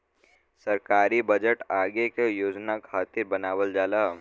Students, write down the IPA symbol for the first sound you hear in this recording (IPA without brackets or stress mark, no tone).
s